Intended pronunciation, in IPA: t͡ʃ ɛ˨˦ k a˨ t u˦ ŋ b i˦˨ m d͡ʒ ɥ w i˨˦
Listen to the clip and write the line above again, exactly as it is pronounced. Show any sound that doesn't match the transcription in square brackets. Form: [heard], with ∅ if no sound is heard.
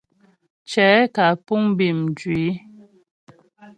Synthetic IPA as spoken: t͡ʃ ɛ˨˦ k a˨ [p] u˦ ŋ b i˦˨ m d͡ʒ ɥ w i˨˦